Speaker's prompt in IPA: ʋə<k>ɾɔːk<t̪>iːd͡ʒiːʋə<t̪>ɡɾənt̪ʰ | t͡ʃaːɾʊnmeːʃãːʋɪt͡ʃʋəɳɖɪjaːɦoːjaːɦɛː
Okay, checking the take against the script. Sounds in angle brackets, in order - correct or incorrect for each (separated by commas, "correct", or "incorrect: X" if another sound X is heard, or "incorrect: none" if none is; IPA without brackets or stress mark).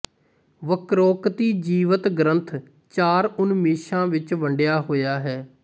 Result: correct, correct, correct